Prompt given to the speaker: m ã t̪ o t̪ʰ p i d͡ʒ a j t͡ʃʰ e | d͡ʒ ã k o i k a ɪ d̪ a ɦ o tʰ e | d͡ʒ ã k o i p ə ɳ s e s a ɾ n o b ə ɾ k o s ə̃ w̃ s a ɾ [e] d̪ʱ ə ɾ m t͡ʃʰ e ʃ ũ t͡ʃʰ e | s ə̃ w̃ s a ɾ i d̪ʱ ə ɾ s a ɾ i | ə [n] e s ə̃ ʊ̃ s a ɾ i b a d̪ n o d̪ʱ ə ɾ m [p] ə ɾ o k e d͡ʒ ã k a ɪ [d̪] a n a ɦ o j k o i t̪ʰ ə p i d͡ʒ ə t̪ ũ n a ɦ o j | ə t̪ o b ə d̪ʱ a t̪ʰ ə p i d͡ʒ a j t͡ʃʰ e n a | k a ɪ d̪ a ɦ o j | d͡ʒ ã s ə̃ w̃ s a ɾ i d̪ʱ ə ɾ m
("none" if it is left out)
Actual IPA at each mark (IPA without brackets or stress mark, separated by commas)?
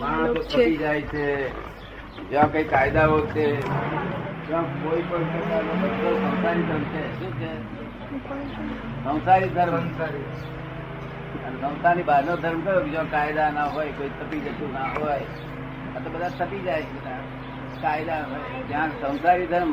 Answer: i, n, k, d̪